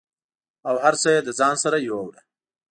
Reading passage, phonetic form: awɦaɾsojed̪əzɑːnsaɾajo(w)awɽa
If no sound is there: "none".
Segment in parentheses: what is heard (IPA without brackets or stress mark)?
w